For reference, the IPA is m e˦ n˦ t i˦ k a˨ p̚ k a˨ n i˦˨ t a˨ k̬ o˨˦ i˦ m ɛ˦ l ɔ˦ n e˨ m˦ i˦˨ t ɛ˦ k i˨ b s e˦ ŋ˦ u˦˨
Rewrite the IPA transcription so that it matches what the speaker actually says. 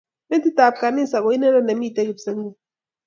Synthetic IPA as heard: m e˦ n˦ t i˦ t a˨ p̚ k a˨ n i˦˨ s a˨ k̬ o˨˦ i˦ n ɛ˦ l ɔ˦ n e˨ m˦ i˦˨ t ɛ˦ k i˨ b s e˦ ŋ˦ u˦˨